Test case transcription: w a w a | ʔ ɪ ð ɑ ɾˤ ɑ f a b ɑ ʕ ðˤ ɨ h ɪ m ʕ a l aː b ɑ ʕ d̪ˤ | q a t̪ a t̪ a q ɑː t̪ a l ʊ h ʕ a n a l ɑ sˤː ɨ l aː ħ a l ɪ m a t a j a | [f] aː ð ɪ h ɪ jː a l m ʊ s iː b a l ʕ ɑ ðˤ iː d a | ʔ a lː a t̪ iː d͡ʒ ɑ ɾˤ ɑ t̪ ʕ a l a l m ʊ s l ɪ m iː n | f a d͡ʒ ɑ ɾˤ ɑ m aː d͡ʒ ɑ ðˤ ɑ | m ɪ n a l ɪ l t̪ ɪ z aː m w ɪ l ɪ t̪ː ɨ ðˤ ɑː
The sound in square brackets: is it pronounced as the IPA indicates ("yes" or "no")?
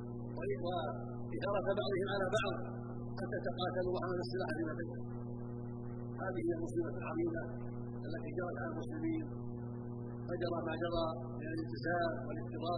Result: no